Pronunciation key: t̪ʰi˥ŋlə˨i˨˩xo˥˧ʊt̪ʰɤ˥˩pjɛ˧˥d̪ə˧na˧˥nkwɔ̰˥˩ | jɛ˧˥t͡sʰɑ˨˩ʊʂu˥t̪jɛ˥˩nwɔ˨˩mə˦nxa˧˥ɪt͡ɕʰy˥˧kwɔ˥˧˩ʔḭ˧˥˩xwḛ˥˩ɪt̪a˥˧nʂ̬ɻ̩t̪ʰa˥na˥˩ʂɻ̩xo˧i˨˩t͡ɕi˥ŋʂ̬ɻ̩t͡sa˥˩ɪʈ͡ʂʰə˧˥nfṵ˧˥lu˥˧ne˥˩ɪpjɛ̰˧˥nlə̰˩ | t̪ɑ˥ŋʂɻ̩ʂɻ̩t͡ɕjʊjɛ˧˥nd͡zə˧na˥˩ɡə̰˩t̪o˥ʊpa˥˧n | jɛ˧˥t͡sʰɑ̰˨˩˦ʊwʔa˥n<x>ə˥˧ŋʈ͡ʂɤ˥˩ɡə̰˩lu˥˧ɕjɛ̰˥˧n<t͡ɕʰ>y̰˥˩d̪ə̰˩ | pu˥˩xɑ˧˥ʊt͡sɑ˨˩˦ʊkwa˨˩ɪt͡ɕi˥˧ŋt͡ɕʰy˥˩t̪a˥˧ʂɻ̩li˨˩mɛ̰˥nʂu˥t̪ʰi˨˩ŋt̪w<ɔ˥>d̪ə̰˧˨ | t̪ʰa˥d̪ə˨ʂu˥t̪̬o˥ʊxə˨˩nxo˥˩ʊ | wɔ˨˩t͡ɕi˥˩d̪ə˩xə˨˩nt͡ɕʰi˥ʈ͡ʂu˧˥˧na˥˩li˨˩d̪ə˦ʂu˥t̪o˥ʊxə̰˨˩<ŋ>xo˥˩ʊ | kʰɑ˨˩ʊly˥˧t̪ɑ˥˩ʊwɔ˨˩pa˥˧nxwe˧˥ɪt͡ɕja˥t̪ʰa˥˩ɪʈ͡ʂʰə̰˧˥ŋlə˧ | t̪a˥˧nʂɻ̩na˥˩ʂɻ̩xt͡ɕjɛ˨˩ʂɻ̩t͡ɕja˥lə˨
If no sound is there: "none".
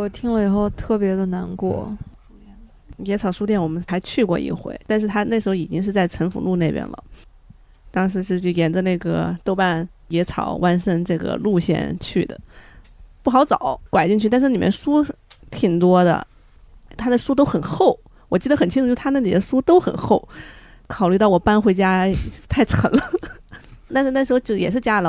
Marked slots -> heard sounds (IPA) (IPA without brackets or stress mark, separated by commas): ʂ, t͡ɕʰ, ɔ˥, n